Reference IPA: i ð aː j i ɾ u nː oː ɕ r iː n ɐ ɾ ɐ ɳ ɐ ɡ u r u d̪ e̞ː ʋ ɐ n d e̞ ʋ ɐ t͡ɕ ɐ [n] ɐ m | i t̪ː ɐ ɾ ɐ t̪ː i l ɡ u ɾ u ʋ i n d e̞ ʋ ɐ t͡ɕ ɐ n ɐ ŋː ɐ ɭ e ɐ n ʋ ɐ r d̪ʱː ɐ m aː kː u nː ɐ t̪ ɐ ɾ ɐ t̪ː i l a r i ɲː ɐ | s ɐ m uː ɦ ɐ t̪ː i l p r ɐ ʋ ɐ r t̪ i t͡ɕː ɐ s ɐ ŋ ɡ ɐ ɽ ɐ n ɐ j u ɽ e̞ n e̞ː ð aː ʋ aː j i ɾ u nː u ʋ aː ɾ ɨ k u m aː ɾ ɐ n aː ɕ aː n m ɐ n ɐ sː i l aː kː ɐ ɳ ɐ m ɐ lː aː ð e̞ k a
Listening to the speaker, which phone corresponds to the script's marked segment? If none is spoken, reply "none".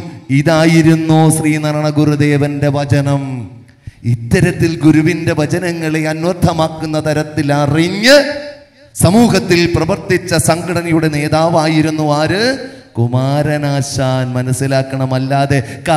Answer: n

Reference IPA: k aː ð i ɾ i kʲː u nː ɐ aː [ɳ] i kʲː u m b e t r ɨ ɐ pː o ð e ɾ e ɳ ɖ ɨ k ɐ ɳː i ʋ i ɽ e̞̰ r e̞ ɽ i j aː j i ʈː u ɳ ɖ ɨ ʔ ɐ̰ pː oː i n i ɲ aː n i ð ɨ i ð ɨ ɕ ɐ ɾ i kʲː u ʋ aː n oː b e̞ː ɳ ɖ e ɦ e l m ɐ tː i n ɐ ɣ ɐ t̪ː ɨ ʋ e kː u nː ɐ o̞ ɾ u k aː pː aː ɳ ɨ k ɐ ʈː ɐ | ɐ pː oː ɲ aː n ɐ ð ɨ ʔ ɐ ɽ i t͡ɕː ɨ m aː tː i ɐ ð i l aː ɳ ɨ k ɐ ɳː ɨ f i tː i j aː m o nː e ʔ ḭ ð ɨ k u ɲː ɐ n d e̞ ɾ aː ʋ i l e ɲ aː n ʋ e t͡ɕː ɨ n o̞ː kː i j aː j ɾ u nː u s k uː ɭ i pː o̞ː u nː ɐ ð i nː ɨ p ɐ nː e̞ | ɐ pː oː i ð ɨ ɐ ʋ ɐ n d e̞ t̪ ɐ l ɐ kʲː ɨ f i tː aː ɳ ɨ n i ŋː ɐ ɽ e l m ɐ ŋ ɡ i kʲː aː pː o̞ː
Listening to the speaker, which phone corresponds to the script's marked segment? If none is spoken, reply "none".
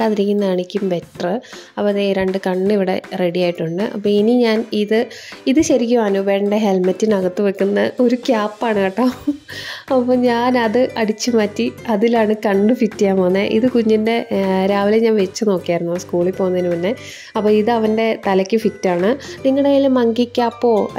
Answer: ɳ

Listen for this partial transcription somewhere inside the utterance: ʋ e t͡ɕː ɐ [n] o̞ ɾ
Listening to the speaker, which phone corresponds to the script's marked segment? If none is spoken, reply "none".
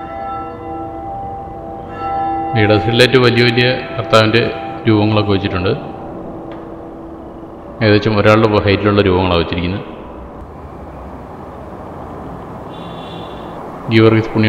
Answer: m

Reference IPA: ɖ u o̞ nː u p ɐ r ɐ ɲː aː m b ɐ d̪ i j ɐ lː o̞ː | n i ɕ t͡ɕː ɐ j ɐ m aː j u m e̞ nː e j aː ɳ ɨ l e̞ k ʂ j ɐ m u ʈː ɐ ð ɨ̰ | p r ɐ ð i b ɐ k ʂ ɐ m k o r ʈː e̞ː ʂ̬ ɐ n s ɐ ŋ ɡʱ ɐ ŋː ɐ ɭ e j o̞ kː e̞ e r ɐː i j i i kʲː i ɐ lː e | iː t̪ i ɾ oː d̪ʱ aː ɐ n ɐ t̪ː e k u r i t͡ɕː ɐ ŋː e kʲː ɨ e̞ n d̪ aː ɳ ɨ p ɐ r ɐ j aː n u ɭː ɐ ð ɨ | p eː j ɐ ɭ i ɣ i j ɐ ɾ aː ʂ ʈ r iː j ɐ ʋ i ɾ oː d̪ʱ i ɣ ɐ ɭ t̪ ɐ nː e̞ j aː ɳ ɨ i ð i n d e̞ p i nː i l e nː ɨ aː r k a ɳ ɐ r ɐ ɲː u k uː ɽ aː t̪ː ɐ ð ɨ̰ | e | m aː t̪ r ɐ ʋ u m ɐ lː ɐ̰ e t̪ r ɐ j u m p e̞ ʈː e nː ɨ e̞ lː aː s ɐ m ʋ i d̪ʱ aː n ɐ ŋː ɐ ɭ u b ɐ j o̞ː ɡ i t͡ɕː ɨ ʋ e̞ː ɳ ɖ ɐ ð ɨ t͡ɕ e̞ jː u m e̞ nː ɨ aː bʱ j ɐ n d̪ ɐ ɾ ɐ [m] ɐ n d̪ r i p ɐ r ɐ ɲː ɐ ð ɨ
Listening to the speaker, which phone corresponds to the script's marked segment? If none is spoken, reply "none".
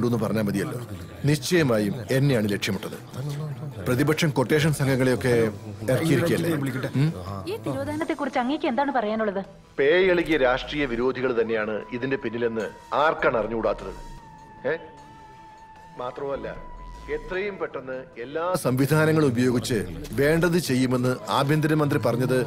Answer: m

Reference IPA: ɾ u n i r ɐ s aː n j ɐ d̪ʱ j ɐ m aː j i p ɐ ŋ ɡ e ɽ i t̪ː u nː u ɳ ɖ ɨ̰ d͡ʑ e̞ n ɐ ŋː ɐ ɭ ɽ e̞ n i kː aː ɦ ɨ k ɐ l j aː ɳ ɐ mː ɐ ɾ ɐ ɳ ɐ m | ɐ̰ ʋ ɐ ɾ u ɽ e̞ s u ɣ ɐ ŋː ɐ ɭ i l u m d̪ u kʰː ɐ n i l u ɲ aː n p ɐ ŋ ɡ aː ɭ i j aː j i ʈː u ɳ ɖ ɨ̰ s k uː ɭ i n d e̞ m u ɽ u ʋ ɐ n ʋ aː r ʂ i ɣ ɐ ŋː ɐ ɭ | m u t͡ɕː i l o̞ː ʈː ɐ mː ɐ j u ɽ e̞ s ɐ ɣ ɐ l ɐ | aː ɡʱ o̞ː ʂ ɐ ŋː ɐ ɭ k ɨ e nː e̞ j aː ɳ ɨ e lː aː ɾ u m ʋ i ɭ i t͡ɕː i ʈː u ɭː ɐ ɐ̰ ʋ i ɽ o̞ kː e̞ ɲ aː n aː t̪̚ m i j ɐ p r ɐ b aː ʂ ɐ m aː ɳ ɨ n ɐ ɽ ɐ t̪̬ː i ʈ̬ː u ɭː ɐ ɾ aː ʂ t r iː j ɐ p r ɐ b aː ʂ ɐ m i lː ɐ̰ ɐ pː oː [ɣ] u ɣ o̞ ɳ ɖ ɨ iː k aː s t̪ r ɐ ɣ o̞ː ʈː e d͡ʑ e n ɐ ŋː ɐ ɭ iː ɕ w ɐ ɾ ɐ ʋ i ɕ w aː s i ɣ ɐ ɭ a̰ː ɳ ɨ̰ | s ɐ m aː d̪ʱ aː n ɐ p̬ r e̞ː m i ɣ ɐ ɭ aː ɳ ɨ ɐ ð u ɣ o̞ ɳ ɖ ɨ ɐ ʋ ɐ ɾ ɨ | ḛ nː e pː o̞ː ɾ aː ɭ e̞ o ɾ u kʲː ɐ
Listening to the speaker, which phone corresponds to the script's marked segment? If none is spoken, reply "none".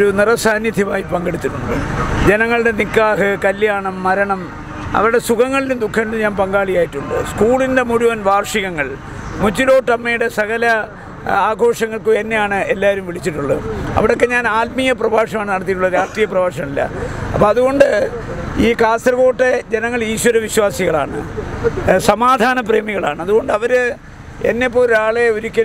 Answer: ð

